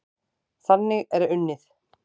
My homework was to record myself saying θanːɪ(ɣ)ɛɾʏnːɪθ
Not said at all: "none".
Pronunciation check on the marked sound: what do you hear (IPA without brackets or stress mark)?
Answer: ɣ